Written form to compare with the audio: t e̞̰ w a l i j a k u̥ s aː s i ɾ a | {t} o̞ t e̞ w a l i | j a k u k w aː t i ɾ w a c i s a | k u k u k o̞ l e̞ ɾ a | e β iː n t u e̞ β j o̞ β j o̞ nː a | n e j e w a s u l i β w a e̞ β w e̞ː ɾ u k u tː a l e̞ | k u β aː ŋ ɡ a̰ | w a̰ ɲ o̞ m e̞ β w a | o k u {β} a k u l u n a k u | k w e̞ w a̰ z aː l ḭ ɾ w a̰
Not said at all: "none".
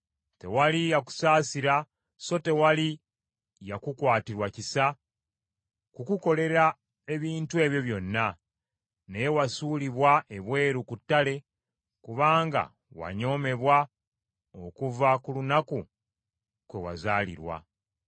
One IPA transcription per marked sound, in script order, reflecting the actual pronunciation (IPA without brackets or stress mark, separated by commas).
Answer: s, v